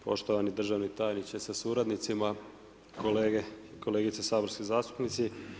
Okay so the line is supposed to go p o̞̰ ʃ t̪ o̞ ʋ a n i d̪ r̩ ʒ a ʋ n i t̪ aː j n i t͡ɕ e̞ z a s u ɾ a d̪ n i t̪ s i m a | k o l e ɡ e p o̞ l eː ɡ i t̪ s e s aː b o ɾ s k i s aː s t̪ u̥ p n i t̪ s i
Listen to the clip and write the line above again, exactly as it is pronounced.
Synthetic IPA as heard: p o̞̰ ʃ t̪ o̞ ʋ a n i d̪ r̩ ʒ a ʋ n i t̪ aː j n i t͡ɕ e̞ s a s u ɾ a d̪ n i t̪ s i m a | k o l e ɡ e k o̞ l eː ɡ i t̪ s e s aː b o ɾ s k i z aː s t̪ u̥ p n i t̪ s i